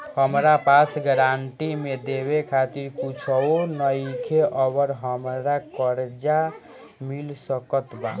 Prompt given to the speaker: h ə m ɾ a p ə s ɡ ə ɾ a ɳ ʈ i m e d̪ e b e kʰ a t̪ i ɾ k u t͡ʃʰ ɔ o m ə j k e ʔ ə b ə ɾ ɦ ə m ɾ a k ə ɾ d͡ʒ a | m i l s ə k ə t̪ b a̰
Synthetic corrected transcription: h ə m ɾ a p a s ɡ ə ɾ a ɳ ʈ i m e d̪ e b e kʰ a t̪ i ɾ k u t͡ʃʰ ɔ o n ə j kʰ e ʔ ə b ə ɾ ɦ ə m ɾ a k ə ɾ d͡ʒ a | m i l s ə k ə t̪ b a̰